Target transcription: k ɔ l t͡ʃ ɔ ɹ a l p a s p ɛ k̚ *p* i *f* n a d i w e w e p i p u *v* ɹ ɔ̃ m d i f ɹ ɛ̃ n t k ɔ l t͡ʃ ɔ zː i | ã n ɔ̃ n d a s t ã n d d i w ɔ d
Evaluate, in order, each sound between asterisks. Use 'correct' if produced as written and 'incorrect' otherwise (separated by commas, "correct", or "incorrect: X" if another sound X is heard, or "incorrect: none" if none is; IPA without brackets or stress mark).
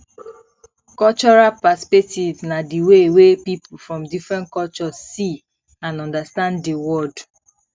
incorrect: t, incorrect: v, incorrect: f